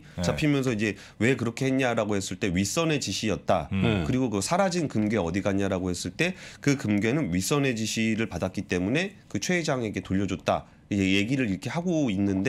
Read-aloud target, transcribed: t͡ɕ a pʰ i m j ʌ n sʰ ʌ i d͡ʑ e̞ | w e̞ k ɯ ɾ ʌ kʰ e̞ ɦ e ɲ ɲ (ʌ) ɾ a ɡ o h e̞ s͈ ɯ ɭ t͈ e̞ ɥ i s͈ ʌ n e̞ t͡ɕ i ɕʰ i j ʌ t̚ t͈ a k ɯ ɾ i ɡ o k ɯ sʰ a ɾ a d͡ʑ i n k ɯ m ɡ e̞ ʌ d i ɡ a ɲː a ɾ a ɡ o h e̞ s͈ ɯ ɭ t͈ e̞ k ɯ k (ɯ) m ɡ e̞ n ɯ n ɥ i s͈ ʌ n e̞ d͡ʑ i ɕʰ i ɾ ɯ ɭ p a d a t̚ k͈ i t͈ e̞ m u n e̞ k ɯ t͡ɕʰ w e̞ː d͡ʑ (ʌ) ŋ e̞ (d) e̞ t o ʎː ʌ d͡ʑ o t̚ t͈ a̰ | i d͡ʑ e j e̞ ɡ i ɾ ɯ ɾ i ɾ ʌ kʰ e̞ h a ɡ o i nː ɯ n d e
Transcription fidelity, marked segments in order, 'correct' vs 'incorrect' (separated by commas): incorrect, correct, incorrect, incorrect